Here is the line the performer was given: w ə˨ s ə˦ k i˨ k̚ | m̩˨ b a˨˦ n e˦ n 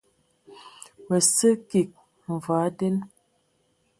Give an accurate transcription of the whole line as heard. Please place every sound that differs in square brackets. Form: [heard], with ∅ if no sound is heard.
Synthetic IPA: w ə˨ s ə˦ k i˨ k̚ | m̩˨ [v] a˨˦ [d] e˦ n

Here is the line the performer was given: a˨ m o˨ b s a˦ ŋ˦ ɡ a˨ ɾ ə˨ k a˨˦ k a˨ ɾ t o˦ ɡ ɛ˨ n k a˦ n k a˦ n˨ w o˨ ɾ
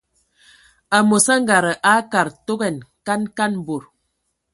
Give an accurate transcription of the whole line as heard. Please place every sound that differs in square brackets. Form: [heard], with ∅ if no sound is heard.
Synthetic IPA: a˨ m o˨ [∅] s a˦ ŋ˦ ɡ a˨ ɾ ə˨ [ʔ] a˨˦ k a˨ ɾ t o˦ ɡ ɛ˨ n k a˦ n k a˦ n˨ [b] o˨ ɾ

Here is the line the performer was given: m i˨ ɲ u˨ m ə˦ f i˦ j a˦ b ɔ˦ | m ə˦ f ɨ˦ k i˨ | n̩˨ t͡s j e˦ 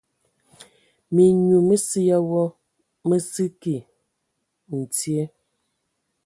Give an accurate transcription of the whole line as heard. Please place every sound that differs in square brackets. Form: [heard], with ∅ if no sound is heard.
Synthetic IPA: m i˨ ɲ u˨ m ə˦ [s] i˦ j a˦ [w] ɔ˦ | m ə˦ [s] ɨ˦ k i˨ | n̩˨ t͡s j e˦

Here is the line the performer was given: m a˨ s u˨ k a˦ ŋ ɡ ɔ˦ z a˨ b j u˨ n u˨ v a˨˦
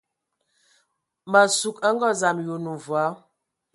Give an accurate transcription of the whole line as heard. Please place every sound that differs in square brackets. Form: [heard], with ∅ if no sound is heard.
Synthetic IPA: m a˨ s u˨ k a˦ ŋ ɡ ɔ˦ z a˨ [m] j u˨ n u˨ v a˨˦

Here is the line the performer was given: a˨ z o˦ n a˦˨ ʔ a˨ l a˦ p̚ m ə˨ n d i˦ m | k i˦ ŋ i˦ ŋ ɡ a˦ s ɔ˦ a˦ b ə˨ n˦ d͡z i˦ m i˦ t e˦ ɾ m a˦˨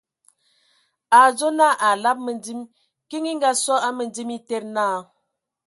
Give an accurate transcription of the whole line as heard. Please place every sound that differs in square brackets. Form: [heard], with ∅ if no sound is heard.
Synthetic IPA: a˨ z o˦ n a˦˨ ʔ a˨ l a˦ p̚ m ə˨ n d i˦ m | k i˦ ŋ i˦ ŋ ɡ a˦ s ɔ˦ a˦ [m] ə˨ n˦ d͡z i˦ m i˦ t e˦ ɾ [n] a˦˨

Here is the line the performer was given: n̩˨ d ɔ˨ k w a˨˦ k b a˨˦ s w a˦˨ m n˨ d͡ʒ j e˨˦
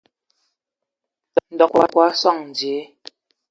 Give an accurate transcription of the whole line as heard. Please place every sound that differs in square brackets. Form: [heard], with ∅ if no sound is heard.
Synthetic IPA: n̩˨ d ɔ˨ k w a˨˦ k [w] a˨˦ s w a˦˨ [ŋ] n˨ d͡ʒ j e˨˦

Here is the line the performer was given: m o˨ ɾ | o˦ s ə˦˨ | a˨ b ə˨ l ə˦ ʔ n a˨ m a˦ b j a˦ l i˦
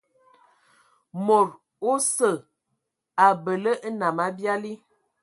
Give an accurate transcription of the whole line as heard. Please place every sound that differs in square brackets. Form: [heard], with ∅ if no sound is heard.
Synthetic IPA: m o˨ ɾ | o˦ s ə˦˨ | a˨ b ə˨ l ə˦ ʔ n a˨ m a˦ b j a˦ l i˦

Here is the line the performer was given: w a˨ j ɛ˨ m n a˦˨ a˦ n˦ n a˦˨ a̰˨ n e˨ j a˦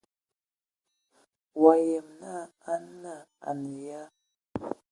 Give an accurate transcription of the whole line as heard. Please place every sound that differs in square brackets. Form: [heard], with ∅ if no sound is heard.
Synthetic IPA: w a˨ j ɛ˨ m n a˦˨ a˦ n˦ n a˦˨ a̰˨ n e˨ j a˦

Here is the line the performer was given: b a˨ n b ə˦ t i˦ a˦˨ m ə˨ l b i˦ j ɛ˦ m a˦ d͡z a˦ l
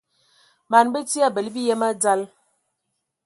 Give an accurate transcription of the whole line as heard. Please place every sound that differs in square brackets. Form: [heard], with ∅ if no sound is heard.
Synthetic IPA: [m] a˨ n b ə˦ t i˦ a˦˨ [b] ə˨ l b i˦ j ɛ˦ m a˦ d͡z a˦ l

